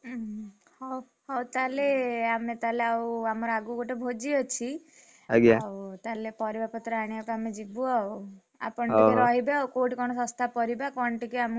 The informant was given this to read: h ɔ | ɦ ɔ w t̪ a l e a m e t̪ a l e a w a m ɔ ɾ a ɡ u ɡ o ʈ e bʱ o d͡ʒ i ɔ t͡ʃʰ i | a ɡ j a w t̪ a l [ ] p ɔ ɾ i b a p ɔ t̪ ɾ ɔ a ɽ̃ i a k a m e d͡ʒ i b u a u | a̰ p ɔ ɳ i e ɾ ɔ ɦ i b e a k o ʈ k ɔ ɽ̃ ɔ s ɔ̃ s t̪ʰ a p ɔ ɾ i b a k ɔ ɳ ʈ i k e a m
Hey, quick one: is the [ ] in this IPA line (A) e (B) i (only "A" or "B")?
A